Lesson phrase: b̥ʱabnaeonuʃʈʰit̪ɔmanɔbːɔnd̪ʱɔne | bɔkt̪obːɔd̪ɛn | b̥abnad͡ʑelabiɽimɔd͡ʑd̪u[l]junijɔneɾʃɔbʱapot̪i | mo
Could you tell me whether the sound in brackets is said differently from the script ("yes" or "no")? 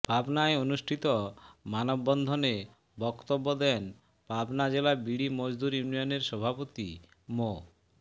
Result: yes